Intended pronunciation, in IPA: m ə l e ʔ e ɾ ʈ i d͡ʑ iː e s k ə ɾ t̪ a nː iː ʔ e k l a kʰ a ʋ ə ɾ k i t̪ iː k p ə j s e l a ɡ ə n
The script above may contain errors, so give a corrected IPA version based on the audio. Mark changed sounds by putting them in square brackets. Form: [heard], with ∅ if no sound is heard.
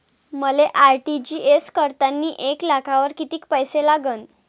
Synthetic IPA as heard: m ə l e ʔ [a] ɾ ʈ i d͡ʑ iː e s k ə ɾ t̪ a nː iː ʔ e k l a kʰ a ʋ ə ɾ k i t̪ iː k p ə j s e l a ɡ ə n